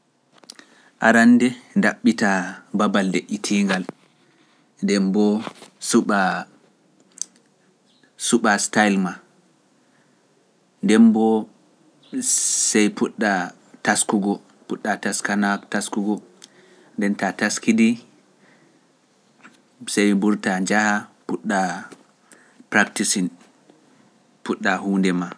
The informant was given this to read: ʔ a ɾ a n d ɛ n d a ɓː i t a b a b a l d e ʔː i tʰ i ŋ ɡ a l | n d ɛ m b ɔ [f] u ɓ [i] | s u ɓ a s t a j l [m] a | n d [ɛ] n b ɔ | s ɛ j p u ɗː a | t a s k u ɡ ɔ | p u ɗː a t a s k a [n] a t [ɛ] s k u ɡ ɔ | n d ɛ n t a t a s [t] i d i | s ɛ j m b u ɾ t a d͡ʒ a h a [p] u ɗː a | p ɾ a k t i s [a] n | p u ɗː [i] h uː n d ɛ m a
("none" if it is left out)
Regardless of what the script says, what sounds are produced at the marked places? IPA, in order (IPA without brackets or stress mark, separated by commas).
s, a, m, ɛ, n, a, k, p, i, a